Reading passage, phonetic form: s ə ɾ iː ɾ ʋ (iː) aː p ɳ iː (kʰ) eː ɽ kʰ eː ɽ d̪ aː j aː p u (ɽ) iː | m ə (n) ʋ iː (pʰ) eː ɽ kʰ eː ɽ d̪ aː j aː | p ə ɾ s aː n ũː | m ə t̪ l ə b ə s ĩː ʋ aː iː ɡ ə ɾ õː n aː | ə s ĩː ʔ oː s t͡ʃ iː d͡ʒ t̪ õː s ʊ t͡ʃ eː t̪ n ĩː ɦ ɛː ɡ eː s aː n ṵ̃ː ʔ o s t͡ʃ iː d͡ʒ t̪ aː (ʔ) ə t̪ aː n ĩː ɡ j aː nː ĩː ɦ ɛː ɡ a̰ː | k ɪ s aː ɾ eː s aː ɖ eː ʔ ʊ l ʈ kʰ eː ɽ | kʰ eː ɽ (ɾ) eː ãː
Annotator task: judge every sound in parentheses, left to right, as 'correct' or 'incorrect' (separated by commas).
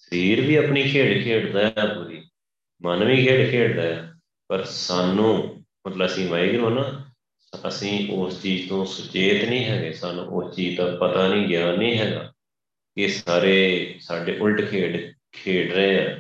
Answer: correct, correct, incorrect, correct, incorrect, incorrect, correct